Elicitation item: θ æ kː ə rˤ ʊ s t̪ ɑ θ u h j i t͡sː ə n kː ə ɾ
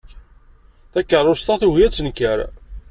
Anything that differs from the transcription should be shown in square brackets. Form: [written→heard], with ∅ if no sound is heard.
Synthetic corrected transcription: θ æ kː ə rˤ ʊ s t̪ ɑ θ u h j [i→æ] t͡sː ə n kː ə ɾ